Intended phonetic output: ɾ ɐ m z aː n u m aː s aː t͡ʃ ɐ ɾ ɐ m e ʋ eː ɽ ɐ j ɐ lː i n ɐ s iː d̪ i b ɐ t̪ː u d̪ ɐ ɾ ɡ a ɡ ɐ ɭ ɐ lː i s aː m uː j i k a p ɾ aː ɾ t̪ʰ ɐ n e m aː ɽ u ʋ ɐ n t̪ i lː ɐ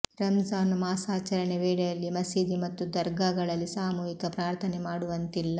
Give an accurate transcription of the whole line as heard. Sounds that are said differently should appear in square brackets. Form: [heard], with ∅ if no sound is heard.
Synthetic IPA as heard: ɾ ɐ m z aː n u m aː s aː t͡ʃ ɐ ɾ ɐ [ɳ] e ʋ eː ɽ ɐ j ɐ lː i [m] ɐ s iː d̪ i [m] ɐ t̪ː u d̪ ɐ ɾ ɡ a ɡ ɐ ɭ ɐ lː i s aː m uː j i k [ɐ] p ɾ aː ɾ t̪ʰ ɐ n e m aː ɽ u ʋ ɐ n t̪ i lː ɐ